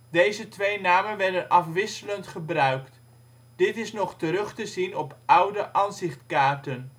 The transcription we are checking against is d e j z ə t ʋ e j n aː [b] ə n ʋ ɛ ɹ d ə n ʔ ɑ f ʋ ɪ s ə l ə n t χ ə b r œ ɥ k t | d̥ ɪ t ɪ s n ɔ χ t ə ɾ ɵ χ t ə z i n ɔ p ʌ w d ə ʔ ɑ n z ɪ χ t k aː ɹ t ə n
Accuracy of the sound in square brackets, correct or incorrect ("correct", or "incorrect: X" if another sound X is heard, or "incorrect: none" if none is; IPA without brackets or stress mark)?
incorrect: m